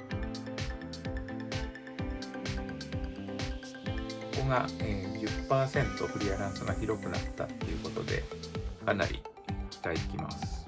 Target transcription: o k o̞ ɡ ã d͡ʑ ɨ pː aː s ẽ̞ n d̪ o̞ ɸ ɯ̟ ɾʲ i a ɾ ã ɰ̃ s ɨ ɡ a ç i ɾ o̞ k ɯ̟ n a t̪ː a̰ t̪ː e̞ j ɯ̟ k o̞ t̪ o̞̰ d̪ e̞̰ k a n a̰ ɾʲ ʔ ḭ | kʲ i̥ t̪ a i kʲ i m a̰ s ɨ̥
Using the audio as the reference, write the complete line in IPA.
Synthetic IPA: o k o̞ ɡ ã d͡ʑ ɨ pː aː s ẽ̞ n t̪ o̞ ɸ ɯ̟ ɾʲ i a ɾ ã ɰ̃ s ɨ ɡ a ç i ɾ o̞ k ɯ̟ n a t̪ː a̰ t̪ː e̞ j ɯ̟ k o̞ t̪ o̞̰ d̪ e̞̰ k a n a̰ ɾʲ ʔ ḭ | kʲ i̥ t̪ a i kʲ i m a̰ s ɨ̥